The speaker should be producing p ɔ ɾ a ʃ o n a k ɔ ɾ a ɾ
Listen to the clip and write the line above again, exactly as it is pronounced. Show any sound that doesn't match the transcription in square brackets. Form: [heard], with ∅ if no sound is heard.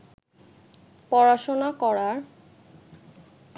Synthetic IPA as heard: p ɔ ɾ a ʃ o n a k ɔ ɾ a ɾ

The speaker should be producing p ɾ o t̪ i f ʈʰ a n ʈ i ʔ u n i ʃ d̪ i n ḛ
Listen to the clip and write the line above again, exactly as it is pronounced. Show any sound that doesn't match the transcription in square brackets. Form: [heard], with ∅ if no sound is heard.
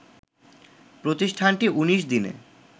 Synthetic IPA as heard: p ɾ o t̪ i [ʃ] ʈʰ a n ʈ i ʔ u n i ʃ d̪ i n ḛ

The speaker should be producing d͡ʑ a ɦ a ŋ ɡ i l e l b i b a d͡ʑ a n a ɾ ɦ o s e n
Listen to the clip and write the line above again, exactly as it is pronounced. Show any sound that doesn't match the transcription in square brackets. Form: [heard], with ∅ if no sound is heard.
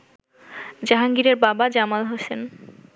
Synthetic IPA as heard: d͡ʑ a ɦ a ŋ ɡ i [ɾ] e [ɾ] b [a] b a d͡ʑ a [m] a [l] ɦ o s e n

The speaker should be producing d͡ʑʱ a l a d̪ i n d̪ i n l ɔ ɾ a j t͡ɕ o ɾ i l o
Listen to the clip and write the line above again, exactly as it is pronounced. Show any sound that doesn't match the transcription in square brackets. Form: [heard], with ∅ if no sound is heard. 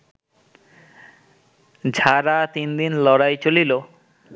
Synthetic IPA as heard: d͡ʑʱ a [ɾ] a [t̪] i n d̪ i n l ɔ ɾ a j t͡ɕ o [l] i l o

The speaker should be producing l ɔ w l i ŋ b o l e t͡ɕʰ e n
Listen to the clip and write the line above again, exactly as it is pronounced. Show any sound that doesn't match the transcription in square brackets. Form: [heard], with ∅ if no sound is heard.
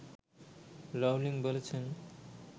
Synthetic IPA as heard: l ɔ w l i ŋ b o l e t͡ɕʰ e n

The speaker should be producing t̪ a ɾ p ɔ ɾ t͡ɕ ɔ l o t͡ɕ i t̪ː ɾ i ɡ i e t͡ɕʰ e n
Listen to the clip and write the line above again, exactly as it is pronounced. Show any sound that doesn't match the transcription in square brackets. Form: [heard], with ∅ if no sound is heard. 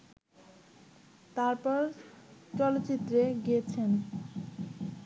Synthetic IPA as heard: t̪ a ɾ p ɔ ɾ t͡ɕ ɔ l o t͡ɕ i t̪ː ɾ [e] ɡ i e t͡ɕʰ e n

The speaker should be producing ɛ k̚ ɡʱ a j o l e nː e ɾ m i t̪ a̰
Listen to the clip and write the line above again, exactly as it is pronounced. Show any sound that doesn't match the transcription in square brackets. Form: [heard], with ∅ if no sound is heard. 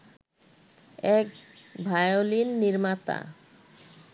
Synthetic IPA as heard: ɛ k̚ [bʱ] a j o l [i] nː [i] ɾ m [a] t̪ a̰

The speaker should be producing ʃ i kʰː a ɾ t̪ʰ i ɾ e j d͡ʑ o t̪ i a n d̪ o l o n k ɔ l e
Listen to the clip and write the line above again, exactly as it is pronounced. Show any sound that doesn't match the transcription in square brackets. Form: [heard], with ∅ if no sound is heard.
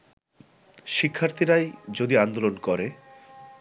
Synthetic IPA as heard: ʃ i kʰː a ɾ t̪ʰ i ɾ [a] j d͡ʑ o [d̪] i a n d̪ o l o n k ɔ [ɾ] e

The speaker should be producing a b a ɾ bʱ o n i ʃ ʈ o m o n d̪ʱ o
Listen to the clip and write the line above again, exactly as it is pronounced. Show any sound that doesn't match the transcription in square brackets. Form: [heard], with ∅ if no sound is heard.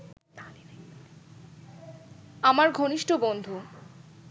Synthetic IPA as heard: a [m] a ɾ [ɡʱ] o n i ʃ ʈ o [b] o n d̪ʱ [u]

